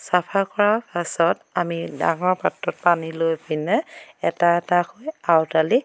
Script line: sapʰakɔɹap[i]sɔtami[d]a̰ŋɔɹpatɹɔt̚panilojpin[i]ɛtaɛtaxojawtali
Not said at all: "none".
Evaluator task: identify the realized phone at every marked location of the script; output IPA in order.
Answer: a, d, ɛ

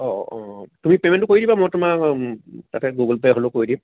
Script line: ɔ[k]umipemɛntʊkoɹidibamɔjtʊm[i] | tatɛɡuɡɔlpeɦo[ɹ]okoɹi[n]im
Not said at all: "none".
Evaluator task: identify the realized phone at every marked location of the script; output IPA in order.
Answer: t, a, l, d

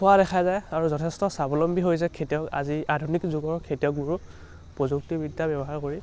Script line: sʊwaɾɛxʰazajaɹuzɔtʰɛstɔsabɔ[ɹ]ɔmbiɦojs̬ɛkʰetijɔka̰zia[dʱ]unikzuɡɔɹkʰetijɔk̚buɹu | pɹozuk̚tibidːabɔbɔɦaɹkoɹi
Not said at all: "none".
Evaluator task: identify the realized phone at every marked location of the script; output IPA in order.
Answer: l, dʱ

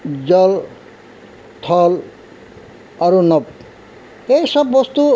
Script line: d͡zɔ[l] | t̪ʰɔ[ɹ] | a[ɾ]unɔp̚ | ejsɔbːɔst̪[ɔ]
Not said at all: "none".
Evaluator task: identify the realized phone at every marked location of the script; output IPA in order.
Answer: l, l, ɾ, u

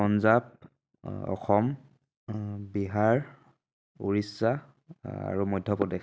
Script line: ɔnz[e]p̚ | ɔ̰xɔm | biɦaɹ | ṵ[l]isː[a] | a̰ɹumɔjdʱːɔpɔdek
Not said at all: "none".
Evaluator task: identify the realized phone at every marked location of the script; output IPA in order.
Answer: a, ɹ, a

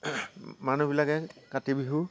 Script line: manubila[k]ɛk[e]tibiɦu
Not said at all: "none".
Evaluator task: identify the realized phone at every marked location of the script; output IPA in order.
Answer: k, a

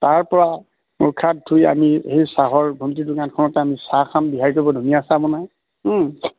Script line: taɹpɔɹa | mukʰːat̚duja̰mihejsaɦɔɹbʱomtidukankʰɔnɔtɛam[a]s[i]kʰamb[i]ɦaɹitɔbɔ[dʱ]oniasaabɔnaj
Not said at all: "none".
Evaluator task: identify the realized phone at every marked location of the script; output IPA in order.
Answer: i, a, i, dʱ

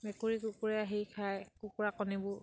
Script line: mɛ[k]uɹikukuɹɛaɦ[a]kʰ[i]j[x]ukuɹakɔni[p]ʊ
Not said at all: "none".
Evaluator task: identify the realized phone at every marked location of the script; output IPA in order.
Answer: k, i, a, k, b

